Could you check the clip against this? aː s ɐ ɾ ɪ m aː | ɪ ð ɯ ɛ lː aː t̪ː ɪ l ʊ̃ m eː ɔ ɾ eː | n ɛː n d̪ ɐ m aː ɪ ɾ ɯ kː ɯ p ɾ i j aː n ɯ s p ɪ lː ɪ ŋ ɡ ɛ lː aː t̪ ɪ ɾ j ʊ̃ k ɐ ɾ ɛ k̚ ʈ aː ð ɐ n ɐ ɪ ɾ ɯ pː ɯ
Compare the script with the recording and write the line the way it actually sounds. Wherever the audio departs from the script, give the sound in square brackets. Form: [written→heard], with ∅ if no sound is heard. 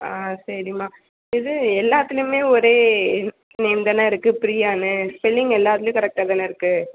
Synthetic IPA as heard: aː s ɐ ɾ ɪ m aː | ɪ ð ɯ ɛ lː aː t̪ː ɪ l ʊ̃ m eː ɔ ɾ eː | n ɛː n d̪ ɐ [m→n] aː ɪ ɾ ɯ kː ɯ p ɾ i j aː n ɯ s p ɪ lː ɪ ŋ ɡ ɛ lː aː t̪ ɪ [ɾ→l] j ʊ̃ k ɐ ɾ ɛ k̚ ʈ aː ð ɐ n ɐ ɪ ɾ ɯ [pː→kː] ɯ